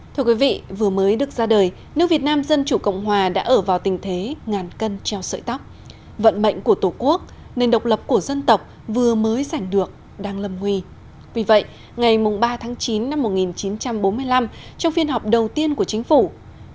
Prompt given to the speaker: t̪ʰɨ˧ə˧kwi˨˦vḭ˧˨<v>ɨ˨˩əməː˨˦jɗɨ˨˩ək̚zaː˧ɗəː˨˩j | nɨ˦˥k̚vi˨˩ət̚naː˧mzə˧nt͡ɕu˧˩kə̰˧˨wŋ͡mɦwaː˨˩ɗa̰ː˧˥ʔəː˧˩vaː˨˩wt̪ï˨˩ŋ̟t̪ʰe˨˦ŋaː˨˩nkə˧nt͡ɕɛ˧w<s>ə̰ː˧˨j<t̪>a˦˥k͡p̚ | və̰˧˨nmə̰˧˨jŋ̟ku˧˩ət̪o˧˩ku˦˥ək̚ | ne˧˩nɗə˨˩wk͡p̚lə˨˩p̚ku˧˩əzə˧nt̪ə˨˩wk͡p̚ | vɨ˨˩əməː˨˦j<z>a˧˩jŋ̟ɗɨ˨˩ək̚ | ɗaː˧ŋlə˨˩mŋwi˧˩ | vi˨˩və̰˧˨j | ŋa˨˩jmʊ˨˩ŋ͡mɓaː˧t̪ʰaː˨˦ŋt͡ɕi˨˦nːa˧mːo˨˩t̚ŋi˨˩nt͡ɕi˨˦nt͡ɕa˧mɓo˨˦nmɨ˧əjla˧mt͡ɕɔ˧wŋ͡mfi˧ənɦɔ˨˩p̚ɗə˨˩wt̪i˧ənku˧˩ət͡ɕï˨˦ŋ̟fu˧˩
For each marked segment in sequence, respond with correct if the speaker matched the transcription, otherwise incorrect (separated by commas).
correct, correct, correct, correct